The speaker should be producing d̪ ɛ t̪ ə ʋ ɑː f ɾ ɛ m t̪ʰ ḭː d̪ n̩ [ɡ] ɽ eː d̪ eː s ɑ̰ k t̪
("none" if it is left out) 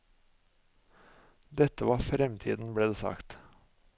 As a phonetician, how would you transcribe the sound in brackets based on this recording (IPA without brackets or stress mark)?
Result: b